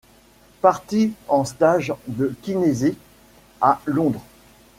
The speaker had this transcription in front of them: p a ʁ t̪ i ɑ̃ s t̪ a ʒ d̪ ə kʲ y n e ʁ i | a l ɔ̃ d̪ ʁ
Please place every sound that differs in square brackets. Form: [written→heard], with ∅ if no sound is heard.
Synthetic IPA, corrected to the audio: p a ʁ t̪ i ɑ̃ s t̪ a ʒ d̪ ə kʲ [y→i] n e [ʁ→z] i | a l ɔ̃ d̪ ʁ